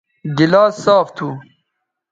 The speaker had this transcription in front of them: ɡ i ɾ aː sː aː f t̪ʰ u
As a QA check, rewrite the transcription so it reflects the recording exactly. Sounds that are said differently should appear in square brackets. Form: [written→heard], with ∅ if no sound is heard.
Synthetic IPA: ɡ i [ɾ→l] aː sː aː f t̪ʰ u